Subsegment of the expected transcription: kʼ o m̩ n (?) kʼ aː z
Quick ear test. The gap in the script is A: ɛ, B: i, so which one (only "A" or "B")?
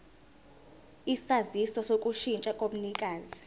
B